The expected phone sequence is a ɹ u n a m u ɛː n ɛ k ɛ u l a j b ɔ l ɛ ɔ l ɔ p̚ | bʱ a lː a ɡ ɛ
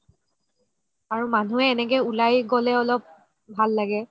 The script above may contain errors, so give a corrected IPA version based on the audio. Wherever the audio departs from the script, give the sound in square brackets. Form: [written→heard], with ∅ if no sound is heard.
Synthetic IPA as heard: a ɹ u [n→m] a [m→n] u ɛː n ɛ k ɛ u l a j [b→ɡ] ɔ l ɛ ɔ l ɔ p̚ | bʱ a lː a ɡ ɛ